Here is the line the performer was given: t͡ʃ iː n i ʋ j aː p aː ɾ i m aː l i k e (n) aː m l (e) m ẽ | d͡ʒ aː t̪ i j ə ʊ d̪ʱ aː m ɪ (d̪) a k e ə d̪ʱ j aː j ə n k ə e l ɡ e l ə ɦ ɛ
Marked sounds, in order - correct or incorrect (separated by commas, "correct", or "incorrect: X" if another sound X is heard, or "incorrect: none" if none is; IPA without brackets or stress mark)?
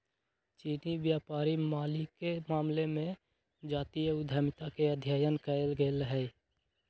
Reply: incorrect: m, correct, incorrect: t̪